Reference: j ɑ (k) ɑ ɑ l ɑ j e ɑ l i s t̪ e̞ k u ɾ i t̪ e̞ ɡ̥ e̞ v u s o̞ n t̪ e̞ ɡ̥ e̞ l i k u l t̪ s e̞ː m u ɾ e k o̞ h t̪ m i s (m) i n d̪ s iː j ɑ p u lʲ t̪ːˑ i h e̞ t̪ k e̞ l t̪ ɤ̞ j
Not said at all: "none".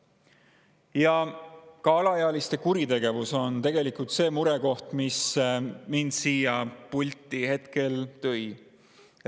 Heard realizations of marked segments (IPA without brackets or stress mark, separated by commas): k, m